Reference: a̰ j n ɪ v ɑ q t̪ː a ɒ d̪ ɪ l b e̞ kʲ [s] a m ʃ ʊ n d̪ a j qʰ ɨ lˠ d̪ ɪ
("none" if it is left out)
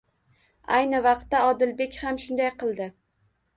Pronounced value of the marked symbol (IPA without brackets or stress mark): h